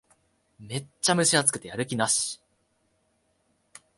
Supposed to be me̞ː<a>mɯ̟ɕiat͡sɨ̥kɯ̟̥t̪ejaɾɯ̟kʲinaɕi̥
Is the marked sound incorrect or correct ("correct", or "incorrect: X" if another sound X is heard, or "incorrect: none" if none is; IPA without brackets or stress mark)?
correct